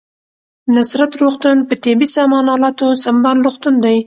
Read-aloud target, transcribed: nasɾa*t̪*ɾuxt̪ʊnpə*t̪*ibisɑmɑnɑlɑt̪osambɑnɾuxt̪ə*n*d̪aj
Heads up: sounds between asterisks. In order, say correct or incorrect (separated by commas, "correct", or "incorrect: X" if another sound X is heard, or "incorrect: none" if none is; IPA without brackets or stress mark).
correct, correct, correct